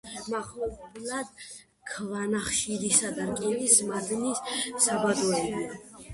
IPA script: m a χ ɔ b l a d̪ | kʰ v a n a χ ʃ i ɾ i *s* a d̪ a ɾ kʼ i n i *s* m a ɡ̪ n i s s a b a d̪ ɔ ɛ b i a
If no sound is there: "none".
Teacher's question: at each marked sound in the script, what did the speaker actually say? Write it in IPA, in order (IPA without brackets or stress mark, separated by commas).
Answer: s, s